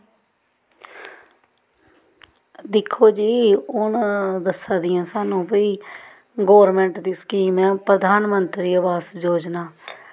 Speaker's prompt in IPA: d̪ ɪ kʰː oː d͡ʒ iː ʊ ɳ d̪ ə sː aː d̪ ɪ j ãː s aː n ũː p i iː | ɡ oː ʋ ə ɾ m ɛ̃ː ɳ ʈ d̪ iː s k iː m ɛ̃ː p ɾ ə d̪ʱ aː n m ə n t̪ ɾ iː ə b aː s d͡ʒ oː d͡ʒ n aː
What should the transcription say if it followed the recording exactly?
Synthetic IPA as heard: d̪ ɪ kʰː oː d͡ʒ iː ʊ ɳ d̪ ə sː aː d̪ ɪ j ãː s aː n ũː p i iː | ɡ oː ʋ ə ɾ m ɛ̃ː ɳ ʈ d̪ iː s k iː m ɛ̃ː p ɾ ə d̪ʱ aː n m ə n t̪ ɾ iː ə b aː s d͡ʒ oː d͡ʒ n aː